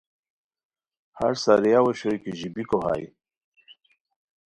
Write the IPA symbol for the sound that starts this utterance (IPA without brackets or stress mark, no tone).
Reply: h